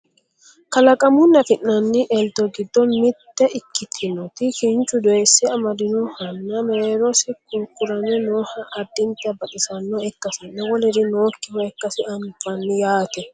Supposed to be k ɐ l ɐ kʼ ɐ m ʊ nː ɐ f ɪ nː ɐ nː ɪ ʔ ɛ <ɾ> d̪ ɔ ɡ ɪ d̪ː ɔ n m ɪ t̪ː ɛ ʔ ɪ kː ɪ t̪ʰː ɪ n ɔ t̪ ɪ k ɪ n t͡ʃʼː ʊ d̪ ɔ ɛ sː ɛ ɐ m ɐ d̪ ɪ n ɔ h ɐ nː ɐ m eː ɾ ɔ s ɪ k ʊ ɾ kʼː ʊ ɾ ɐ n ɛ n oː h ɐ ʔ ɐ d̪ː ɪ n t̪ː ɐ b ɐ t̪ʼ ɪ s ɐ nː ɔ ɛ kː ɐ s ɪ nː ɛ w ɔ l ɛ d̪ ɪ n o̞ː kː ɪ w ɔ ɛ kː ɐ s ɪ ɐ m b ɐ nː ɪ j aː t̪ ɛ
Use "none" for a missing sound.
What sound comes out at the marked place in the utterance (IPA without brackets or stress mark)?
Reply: l